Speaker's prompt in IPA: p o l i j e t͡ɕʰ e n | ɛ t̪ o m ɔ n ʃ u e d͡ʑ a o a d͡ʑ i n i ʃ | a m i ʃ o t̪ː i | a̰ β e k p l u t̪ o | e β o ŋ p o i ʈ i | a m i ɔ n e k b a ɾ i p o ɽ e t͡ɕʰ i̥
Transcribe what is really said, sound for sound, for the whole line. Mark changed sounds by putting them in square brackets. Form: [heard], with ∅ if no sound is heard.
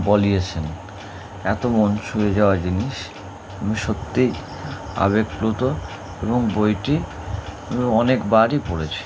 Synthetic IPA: [b] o l i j e t͡ɕʰ e n | ɛ t̪ o m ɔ n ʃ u e d͡ʑ a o a d͡ʑ i n i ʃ | a m i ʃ o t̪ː i | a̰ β e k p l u t̪ o | e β o ŋ [b] o [j] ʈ i | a m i ɔ n e k b a ɾ i p o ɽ e t͡ɕʰ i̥